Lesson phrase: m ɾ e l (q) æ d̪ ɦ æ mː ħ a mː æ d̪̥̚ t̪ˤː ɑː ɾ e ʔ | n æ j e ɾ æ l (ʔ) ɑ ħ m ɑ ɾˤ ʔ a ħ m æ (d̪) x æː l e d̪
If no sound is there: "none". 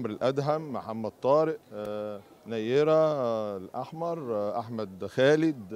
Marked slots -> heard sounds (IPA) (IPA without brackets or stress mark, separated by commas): ʔ, ʔ, d̪